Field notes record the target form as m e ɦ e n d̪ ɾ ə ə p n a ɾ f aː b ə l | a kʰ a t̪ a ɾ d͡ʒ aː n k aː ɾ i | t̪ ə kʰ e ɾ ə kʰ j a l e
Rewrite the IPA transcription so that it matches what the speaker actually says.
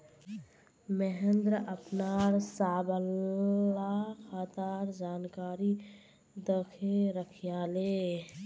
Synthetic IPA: m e ɦ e n d̪ ɾ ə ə p n a ɾ s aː b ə l | a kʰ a t̪ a ɾ d͡ʒ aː n k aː ɾ i | d̪ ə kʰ e ɾ ə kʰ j a l e